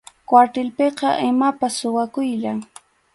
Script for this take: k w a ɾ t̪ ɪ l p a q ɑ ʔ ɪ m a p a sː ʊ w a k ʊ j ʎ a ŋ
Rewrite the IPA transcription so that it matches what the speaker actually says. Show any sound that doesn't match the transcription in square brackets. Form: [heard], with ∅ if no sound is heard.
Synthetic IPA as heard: k w a ɾ t̪ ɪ l p [e] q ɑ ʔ ɪ m a p a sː ʊ w a k ʊ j ʎ a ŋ